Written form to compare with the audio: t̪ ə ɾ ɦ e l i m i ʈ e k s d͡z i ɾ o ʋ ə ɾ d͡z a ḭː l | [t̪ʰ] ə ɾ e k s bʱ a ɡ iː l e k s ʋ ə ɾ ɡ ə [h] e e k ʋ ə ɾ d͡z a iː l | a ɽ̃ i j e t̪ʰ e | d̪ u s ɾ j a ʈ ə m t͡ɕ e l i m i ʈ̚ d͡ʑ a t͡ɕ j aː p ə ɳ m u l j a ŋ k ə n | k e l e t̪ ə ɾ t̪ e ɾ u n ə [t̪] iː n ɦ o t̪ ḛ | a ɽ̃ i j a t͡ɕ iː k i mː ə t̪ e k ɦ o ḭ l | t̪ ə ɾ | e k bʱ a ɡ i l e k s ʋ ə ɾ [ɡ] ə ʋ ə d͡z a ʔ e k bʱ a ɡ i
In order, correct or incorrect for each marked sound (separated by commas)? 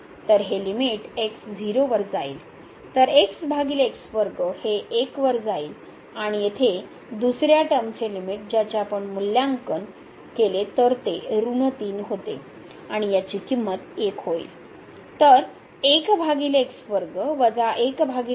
incorrect, correct, correct, correct